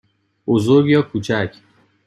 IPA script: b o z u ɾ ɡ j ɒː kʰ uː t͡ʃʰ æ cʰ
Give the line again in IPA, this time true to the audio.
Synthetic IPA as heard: b o z o ɾ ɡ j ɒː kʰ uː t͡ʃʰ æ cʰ